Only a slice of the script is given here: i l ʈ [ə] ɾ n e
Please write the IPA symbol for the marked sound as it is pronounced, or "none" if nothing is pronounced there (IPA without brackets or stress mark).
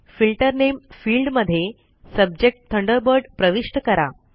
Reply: ə